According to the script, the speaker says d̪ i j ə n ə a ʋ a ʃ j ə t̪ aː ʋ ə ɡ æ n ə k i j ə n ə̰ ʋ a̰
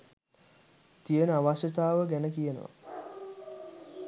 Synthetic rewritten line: t̪ i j ə n ə a ʋ a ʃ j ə t̪ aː ʋ ə ɡ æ n ə k i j ə n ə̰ ʋ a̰